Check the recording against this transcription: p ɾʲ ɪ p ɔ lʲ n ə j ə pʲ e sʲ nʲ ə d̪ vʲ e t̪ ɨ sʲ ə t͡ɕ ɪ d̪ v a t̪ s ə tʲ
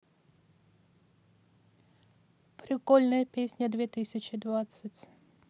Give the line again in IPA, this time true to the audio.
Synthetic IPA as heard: p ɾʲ ɪ k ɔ lʲ n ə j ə pʲ e sʲ nʲ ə d̪ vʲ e t̪ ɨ sʲ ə t͡ɕ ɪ d̪ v a t̪ s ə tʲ